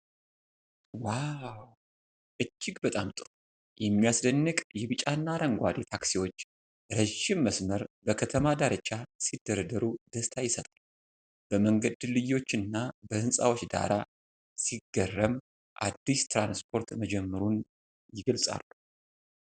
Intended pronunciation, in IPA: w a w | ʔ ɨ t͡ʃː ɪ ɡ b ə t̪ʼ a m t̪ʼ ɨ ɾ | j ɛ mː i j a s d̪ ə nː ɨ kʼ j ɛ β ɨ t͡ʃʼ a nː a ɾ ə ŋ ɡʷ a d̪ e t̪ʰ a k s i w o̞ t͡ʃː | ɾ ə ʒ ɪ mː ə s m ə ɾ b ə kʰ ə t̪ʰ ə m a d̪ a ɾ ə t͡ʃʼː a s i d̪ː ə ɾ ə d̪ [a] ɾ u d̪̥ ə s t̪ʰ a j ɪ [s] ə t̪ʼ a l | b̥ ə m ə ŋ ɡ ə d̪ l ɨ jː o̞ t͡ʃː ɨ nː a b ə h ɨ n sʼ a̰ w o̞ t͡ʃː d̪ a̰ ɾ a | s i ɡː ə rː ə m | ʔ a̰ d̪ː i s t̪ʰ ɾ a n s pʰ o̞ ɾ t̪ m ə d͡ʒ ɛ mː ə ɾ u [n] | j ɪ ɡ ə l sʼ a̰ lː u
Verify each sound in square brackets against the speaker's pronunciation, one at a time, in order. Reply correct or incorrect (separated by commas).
incorrect, correct, correct